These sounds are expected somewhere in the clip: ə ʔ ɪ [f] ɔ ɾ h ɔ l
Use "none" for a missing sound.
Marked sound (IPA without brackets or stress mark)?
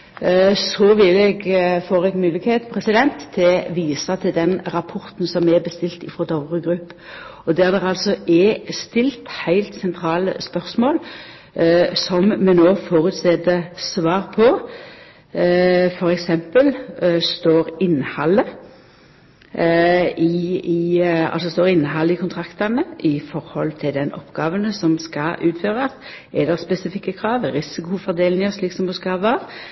f